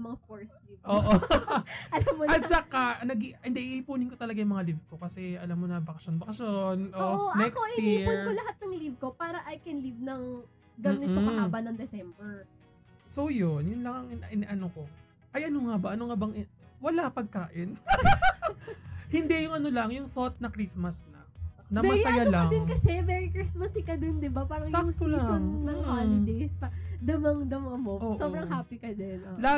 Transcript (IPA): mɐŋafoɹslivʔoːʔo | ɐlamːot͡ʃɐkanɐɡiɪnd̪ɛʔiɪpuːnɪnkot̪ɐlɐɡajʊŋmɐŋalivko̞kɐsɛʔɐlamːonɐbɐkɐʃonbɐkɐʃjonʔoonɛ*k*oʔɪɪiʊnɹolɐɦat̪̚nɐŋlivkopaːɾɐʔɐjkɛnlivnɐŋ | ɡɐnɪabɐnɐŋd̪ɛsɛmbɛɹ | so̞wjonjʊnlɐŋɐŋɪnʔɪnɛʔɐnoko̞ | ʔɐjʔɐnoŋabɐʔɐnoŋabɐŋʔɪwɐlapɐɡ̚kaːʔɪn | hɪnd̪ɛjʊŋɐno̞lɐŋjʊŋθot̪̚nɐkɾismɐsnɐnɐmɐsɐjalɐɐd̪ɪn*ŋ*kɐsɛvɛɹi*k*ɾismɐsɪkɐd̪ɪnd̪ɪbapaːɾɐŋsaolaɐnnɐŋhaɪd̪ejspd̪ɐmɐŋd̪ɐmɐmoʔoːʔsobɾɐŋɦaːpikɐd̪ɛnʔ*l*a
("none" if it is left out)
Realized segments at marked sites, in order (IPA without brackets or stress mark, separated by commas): k, ŋ, k, l